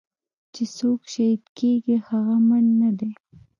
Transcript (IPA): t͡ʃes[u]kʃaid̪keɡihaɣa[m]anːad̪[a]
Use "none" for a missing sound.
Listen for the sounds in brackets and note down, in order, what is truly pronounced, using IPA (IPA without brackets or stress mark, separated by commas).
o, m, e